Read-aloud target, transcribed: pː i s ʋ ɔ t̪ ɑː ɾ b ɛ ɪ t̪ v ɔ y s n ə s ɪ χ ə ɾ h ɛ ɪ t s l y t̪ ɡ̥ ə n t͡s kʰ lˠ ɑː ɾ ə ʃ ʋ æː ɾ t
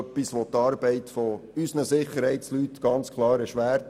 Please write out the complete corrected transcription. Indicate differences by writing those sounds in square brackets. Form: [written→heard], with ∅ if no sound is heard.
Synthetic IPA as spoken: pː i s ʋ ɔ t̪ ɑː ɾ b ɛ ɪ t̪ [v→f] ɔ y s n ə s ɪ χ ə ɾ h ɛ ɪ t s l y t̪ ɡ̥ [ə→ɑ] n t͡s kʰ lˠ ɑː ɾ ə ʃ ʋ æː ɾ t